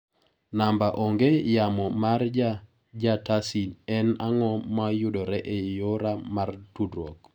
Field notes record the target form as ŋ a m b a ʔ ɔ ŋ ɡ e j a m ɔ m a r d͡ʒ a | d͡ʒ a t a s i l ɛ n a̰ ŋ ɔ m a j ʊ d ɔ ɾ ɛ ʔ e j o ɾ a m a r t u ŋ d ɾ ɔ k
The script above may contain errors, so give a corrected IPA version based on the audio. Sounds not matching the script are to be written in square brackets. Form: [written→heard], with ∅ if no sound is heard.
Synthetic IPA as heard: [ŋ→n] a m b a ʔ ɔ ŋ ɡ e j a m ɔ m a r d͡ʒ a | d͡ʒ a t a s i l ɛ n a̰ ŋ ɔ m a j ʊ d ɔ ɾ ɛ ʔ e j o ɾ a m a r t u [ŋ→∅] d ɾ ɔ k